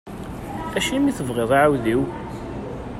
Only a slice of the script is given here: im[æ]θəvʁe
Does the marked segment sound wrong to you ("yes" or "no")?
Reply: yes